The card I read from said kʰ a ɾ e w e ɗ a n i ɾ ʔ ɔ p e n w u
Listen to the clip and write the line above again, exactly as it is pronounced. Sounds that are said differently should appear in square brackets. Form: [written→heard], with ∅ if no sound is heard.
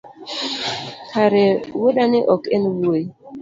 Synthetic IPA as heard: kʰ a ɾ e w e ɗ a n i [ɾ→∅] ʔ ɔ [p→k] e n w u